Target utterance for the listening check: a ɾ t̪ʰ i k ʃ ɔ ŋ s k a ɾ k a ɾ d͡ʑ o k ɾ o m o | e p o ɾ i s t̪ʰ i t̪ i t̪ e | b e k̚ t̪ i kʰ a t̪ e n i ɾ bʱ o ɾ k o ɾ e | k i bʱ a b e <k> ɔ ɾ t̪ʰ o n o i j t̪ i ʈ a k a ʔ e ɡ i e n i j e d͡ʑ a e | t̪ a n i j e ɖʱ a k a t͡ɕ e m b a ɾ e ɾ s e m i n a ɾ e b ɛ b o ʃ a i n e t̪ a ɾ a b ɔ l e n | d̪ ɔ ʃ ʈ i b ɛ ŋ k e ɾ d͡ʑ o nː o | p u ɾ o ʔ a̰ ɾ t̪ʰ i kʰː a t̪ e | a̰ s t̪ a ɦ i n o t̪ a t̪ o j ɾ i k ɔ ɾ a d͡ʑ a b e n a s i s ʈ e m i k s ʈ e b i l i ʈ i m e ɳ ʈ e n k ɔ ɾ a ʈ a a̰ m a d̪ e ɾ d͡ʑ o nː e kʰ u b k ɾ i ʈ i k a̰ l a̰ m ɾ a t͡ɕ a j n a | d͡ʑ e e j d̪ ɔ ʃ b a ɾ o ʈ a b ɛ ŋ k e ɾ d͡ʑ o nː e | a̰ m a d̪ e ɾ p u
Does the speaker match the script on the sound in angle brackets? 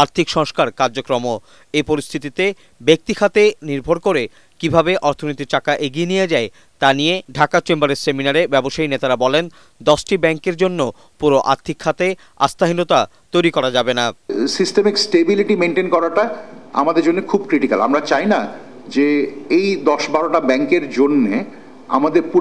no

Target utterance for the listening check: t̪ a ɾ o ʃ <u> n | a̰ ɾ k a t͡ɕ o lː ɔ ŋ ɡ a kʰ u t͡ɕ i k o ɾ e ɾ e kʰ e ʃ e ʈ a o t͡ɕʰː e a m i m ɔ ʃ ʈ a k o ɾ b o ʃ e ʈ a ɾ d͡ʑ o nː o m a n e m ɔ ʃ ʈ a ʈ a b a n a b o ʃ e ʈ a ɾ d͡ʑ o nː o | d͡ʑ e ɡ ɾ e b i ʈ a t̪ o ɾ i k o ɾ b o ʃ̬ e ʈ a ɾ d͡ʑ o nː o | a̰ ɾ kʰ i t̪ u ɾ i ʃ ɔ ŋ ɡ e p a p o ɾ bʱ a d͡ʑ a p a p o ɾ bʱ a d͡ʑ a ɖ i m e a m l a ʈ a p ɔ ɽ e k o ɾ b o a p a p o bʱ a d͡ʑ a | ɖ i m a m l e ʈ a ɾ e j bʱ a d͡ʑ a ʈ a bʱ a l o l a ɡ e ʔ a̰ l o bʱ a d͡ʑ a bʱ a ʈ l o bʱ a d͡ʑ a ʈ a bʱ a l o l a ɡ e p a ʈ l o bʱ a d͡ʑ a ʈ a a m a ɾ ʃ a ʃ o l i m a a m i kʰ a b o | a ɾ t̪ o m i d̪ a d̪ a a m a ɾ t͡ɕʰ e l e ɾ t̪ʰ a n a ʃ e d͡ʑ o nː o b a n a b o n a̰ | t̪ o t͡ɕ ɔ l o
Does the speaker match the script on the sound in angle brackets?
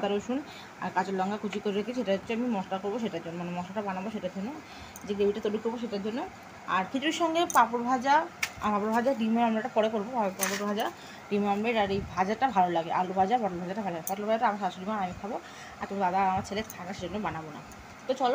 yes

